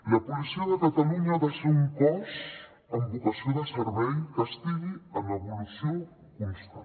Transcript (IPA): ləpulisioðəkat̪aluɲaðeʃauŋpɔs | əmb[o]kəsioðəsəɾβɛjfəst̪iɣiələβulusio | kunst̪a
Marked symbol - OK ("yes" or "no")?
no